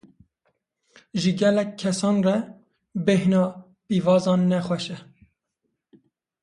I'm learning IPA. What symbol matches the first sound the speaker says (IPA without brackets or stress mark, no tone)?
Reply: ʒ